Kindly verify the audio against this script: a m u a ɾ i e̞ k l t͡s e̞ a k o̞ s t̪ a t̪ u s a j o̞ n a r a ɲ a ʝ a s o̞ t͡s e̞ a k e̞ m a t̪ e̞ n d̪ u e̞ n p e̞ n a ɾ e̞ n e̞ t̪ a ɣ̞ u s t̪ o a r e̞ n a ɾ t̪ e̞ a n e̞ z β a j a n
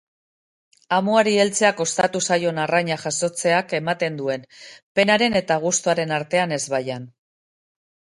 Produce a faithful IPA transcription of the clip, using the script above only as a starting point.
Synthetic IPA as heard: a m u a ɾ i e̞ l t͡s e̞ a k o̞ s t̪ a t̪ u s a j o̞ n a r a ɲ a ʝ a s o̞ t͡s e̞ a k e̞ m a t̪ e̞ n d̪ u e̞ n p e̞ n a ɾ e̞ n e̞ t̪ a ɣ̞ u s t̪ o a ɾ e̞ n a ɾ t̪ e̞ a n e̞ z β a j a n